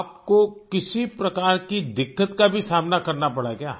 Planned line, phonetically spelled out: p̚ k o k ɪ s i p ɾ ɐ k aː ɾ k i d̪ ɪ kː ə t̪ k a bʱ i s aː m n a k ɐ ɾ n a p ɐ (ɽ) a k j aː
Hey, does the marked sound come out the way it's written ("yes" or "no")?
yes